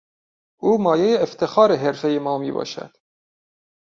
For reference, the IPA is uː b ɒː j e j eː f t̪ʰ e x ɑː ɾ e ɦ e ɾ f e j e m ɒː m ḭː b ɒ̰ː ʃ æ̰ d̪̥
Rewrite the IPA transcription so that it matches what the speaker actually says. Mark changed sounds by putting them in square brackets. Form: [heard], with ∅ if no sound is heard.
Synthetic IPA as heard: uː [m] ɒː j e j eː f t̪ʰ e x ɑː ɾ e ɦ e ɾ f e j e m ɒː m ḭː b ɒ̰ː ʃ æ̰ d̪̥